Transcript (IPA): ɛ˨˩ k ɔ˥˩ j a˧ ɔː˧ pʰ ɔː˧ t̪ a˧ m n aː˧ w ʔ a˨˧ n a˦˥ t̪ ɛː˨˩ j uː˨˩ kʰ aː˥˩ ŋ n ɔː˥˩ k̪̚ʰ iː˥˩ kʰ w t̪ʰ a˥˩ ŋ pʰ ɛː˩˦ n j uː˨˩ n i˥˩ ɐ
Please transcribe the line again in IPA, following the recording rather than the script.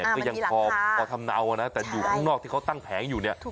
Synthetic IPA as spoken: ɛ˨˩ k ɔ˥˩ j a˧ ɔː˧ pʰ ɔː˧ t̪ʰ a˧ m n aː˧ w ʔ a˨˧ n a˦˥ t̪ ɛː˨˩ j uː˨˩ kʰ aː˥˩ ŋ n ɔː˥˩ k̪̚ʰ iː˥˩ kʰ w t̪ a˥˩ ŋ pʰ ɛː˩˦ n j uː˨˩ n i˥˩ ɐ